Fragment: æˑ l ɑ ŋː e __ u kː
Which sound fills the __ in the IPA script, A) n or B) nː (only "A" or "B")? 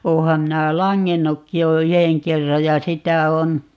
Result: B